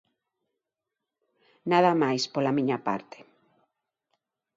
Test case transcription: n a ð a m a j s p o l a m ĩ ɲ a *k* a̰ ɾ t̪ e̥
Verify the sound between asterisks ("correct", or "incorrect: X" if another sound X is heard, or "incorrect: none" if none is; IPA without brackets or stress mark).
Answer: incorrect: p